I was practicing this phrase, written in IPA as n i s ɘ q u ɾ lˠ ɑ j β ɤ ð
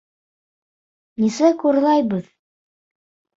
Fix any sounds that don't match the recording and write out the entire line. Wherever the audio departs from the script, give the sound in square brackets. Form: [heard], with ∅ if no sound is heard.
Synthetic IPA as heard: n i s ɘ [k] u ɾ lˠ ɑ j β ɤ ð